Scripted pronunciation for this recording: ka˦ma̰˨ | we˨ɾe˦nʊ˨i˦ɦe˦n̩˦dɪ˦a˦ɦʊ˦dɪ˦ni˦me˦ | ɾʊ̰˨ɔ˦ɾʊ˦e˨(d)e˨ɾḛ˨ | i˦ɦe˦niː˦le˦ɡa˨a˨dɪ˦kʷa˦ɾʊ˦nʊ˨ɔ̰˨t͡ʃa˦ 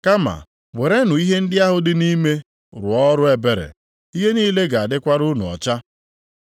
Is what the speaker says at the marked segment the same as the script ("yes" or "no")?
no